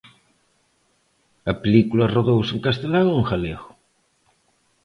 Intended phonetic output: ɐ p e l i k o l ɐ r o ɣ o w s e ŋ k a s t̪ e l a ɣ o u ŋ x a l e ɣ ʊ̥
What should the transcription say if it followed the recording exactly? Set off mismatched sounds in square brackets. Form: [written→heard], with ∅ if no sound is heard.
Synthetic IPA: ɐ p e l i k [o→u] l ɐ r o [ɣ→ð] o w s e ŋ k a s t̪ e l a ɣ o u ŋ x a l e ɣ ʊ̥